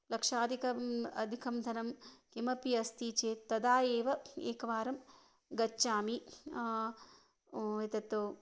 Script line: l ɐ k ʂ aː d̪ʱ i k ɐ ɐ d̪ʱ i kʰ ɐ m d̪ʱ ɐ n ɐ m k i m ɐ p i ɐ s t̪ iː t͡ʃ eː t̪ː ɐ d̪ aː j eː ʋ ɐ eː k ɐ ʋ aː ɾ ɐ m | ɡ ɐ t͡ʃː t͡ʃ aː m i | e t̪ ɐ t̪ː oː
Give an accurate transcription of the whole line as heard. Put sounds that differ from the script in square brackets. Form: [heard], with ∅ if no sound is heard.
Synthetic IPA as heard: l ɐ k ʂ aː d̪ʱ i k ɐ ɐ d̪ʱ i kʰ ɐ m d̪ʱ ɐ n ɐ m k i m ɐ p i ɐ s t̪ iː t͡ʃ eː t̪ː ɐ d̪ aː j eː ʋ ɐ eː k ɐ ʋ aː ɾ ɐ m | ɡ ɐ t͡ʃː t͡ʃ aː m i | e t̪ ɐ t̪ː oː